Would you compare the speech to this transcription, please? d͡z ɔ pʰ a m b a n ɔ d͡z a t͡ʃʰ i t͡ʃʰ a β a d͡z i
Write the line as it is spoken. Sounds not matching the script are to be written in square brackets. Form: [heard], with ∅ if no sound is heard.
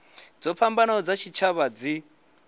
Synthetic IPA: d͡z ɔ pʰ a m b a n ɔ d͡z a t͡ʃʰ i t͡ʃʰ a β a d͡z i